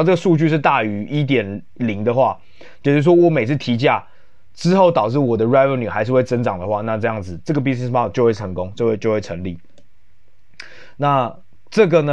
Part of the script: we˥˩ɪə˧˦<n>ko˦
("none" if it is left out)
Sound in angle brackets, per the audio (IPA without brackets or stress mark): ŋ